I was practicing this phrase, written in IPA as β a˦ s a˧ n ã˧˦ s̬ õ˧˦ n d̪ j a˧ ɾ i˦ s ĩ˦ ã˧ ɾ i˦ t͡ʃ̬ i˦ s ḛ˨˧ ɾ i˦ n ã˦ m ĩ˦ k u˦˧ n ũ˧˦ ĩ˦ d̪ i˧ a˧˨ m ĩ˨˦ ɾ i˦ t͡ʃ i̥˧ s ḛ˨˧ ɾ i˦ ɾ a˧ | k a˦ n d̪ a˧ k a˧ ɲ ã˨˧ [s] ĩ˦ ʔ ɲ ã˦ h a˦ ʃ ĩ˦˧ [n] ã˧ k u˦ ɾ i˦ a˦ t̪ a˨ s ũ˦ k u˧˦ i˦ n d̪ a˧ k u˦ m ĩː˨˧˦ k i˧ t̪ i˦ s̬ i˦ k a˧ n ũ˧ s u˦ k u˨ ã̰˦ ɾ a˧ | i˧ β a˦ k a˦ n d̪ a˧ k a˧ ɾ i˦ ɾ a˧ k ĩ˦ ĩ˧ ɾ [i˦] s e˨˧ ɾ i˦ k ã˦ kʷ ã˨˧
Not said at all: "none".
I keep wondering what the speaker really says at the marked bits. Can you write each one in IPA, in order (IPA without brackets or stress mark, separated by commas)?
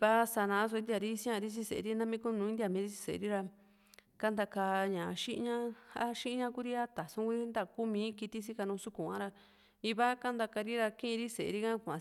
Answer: ʃ, ɲ, i˦